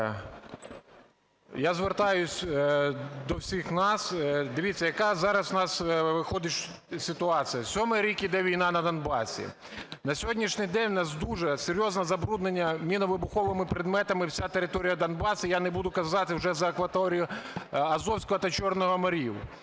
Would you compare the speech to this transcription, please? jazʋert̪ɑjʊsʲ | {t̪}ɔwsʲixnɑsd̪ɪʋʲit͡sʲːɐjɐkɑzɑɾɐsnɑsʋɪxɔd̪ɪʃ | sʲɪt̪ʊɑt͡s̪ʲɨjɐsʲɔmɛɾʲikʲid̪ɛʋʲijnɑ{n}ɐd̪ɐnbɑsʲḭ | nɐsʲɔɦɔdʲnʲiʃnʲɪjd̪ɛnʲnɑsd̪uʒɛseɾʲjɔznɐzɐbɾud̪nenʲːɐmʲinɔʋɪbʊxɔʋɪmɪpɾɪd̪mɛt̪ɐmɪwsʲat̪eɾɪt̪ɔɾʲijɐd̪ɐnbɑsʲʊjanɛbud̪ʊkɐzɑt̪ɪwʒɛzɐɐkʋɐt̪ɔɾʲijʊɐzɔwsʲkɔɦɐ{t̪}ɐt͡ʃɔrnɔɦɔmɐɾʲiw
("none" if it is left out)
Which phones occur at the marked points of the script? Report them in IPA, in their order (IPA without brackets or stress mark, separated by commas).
d̪, n, t̪